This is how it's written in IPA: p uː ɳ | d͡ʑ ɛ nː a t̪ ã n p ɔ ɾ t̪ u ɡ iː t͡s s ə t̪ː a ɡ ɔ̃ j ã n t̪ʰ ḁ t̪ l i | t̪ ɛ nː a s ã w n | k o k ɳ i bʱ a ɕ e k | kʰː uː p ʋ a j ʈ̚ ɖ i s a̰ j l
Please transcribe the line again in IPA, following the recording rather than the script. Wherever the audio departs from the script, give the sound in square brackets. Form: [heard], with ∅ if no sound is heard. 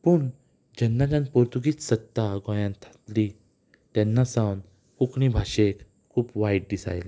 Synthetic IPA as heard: p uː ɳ | d͡ʑ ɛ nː a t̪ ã n p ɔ ɾ t̪ u ɡ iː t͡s s ə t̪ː a ɡ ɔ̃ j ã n t̪ʰ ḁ t̪ l i | t̪ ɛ nː a s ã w n | k [u] k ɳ i bʱ a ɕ e k | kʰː uː p ʋ a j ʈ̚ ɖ i s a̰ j l